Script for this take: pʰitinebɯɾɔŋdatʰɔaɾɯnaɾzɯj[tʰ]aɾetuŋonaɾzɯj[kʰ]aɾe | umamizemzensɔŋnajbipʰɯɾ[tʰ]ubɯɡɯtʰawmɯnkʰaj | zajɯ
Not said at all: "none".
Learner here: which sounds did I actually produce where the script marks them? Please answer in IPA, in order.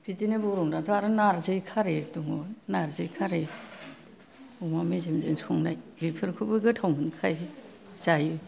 kʰ, kʰ, kʰ

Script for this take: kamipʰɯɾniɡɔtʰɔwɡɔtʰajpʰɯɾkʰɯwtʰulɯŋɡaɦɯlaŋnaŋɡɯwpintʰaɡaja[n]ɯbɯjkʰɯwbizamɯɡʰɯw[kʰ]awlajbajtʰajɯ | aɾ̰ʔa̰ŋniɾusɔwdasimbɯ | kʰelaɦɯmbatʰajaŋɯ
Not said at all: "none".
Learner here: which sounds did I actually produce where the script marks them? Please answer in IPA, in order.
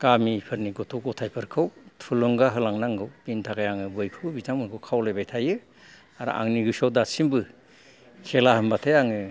ŋ, kʰ

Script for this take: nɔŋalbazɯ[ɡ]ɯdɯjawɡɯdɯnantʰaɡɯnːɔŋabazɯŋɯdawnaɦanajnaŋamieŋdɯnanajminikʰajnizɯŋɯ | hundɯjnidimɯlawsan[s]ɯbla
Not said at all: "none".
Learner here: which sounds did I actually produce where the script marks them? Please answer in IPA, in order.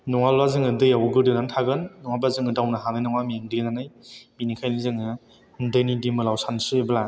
ŋ, s

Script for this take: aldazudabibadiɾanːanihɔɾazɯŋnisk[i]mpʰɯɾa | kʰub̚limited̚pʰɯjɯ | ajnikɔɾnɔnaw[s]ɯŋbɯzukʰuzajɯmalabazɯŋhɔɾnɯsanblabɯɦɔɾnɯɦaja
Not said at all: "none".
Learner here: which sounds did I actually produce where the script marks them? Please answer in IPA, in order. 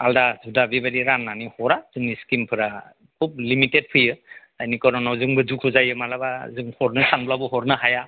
i, z

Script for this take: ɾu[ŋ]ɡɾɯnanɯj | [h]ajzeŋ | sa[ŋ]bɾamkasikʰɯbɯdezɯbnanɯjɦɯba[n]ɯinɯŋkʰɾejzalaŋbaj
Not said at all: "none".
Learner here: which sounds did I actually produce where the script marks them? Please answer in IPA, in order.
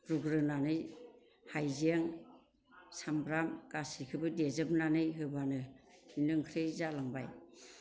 none, h, m, n

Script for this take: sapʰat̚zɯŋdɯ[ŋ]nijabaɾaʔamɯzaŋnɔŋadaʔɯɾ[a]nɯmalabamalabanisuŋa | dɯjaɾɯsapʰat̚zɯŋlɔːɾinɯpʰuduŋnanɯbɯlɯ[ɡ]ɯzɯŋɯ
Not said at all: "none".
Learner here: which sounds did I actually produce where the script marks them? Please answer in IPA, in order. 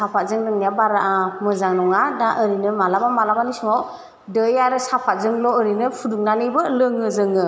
ŋ, i, ŋ

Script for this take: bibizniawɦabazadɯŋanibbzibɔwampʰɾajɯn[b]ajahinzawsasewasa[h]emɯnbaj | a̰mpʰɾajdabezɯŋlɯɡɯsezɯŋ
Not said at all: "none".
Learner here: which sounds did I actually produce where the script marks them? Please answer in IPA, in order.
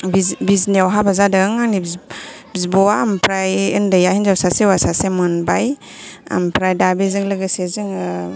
d, s

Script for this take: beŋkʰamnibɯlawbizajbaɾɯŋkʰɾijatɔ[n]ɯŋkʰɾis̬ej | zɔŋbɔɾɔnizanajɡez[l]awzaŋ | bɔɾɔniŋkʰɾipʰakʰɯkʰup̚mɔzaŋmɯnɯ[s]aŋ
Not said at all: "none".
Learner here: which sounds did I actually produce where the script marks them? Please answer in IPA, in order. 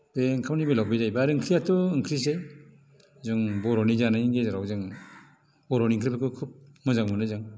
none, ɾ, z

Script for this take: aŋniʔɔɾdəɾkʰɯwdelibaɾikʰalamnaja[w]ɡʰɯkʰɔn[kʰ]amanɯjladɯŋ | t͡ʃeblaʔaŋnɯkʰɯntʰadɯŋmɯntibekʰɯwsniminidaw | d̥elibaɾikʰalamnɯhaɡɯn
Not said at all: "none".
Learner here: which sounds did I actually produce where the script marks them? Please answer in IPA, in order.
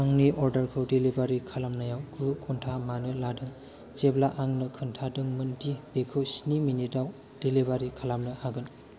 w, tʰ

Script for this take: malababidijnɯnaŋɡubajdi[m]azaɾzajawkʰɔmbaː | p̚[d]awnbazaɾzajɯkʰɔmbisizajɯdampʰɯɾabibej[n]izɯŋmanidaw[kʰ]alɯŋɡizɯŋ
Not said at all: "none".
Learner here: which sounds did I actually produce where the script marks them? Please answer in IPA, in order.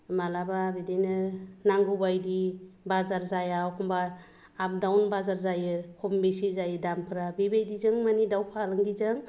b, d, d, pʰ

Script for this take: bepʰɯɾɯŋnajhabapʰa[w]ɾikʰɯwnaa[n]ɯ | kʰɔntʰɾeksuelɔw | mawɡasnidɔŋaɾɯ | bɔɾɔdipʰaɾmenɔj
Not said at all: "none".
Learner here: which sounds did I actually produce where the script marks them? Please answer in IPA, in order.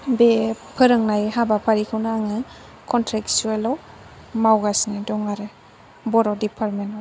none, ŋ

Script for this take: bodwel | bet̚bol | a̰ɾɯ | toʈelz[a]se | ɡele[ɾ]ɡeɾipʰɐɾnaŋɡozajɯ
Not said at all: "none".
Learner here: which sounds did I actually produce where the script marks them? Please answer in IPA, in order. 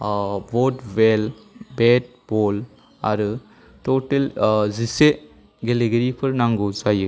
i, none

